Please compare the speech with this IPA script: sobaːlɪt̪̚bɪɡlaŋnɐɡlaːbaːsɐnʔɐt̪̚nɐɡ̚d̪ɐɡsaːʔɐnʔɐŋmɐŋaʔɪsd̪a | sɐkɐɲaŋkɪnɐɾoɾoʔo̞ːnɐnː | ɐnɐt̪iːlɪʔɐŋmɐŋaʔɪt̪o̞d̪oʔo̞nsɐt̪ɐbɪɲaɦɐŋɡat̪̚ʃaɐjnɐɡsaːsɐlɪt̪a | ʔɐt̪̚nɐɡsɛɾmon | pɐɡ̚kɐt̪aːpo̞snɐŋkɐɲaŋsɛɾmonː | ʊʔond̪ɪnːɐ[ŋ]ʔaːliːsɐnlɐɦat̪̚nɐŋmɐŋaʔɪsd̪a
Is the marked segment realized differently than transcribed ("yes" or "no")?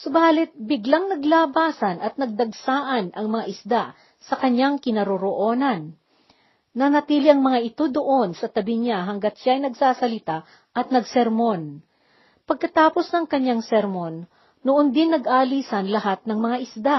yes